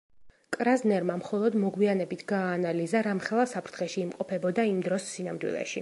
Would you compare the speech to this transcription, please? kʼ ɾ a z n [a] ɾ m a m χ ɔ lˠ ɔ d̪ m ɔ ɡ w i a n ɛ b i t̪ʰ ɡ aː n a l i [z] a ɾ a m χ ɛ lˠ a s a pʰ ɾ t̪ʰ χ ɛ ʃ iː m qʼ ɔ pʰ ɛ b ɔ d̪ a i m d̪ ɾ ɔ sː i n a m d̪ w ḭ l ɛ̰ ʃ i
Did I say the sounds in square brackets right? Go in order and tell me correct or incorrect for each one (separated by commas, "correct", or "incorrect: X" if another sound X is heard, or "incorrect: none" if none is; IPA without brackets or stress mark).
incorrect: ɛ, correct